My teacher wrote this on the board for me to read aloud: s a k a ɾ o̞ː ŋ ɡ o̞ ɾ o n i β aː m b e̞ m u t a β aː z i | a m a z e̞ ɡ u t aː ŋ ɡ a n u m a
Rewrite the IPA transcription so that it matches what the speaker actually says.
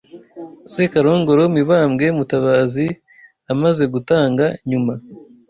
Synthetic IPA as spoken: s e k a ɾ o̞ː ŋ ɡ o̞ ɾ o m i β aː m ɡ e̞ m u t a β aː z i | a m a z e̞ ɡ u t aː ŋ ɡ a ɲ u m a

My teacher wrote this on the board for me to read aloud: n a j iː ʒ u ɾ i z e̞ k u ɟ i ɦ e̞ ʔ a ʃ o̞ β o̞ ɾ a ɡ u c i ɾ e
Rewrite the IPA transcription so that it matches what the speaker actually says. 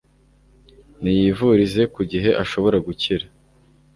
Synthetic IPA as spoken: n i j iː v u ɾ i z e̞ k u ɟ i ɦ e̞ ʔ a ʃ o̞ β o̞ ɾ a ɡ u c i ɾ a

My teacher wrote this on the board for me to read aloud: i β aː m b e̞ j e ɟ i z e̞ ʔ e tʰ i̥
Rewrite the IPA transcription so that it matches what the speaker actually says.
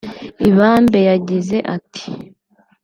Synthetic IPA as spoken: i β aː m b e̞ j a ɟ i z e̞ ʔ a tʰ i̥

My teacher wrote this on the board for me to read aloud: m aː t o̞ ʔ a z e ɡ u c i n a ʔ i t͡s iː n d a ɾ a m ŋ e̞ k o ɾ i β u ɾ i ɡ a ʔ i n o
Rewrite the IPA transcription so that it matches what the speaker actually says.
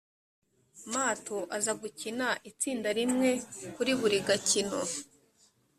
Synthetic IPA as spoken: m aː t o̞ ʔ a z a ɡ u c i n a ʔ i t͡s iː n d a ɾ i m ŋ e̞ k u ɾ i β u ɾ i ɡ a c i n o

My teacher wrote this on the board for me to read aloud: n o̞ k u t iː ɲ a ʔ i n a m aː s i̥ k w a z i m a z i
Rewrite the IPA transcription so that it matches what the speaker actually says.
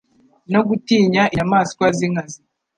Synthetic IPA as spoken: n o̞ ɡ u t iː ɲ a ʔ i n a m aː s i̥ k w a z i ŋ a z i

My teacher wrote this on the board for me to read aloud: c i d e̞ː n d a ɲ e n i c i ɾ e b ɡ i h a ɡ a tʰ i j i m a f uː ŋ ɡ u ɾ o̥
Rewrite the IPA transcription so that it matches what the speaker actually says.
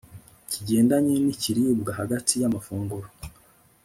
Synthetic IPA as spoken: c i ɟ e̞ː n d a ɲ e n i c i ɾ i b ɡ a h a ɡ a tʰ i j a m a f uː ŋ ɡ u ɾ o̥

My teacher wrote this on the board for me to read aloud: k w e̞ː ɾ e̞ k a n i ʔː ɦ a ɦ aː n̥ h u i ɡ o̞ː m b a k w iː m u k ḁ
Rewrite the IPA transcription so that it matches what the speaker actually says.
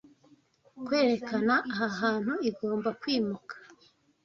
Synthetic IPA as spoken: k w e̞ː ɾ e̞ k a n a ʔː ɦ a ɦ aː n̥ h u i ɡ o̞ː m b a k w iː m u k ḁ

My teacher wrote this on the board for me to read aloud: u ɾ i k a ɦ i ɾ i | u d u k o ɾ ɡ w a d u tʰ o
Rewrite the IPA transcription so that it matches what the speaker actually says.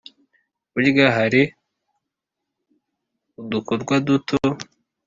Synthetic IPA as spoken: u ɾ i ɡ a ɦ a ɾ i | u d u k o ɾ ɡ w a d u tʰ o

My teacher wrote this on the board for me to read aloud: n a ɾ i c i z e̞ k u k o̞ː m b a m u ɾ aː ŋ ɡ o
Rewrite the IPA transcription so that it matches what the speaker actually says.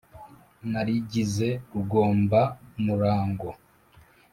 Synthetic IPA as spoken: n a ɾ i ɟ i z e̞ k u ɡ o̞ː m b a m u ɾ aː ŋ ɡ o

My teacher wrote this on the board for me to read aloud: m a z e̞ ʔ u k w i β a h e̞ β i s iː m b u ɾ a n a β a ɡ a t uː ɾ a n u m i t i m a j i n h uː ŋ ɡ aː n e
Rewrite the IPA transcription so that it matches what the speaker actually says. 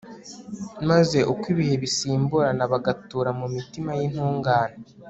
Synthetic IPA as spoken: m a z e̞ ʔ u k w i β i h e̞ β i s iː m b u ɾ a n a β a ɡ a t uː ɾ a m u m i t i m a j i n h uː ŋ ɡ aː n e

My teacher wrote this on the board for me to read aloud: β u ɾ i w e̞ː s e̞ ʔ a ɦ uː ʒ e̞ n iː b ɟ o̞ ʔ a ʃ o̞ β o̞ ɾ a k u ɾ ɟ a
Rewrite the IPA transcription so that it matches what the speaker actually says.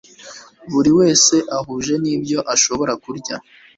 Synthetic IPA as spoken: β u ɾ i w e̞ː s e̞ ʔ a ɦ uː ʒ e̞ n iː b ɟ o̞ ʔ a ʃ o̞ β o̞ ɾ a k u ɾ ɟ a

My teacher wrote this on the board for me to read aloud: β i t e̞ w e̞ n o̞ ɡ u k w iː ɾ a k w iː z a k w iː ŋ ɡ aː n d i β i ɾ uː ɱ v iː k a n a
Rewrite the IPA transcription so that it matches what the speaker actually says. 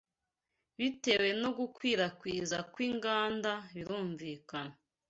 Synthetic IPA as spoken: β i t e̞ w e̞ n o̞ ɡ u k w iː ɾ a k w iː z a k w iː ŋ ɡ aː n d a β i ɾ uː ɱ v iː k a n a

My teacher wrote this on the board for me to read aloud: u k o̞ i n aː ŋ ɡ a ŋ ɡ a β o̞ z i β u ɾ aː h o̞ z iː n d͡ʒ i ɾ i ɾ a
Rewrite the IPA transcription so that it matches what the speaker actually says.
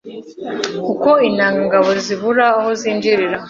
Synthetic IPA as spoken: u k o̞ i n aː ŋ ɡ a ŋ ɡ a β o̞ z i β u ɾ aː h o̞ z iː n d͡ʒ i ɾ i ɾ a

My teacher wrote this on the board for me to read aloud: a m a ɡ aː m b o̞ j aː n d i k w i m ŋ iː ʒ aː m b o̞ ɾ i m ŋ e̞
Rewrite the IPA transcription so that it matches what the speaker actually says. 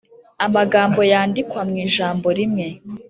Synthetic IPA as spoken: a m a ɡ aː m b o̞ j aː n d i k w a m ŋ iː ʒ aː m b o̞ ɾ i m ŋ e̞

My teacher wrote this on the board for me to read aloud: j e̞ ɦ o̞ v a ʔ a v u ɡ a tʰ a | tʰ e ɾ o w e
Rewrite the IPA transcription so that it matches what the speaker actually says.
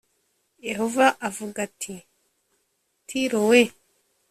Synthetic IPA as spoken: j e̞ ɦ o̞ v a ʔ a v u ɡ a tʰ i | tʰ i ɾ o w e

